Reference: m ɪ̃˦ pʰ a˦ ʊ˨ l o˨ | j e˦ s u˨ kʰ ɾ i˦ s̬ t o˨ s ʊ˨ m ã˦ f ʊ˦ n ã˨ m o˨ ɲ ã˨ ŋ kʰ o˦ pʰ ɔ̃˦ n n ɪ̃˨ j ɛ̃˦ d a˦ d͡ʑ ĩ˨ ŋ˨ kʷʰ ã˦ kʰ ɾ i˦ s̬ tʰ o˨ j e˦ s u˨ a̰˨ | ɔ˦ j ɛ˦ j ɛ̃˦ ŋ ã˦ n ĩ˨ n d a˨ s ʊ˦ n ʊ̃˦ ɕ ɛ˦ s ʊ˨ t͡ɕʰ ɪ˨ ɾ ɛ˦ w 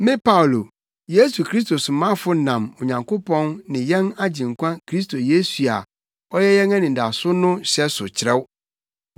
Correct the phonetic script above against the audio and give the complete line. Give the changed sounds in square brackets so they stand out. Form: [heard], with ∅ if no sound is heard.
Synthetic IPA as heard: m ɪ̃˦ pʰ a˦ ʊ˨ l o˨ | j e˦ s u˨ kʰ ɾ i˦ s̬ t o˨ s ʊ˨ m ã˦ f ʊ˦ n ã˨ m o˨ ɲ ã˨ ŋ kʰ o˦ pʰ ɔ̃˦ n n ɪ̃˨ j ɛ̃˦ [n] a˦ d͡ʑ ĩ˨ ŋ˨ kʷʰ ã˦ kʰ ɾ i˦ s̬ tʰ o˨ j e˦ s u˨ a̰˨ | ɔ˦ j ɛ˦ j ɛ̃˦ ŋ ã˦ n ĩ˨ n d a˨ s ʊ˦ n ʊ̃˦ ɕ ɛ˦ s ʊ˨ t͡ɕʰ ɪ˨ ɾ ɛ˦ w